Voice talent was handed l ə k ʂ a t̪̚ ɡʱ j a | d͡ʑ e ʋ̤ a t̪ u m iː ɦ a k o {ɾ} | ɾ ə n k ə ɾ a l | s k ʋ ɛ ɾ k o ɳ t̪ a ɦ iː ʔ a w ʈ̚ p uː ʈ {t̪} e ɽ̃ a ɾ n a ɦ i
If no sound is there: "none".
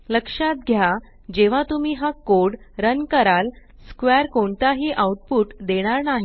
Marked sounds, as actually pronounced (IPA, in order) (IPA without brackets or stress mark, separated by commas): ɽ, d̪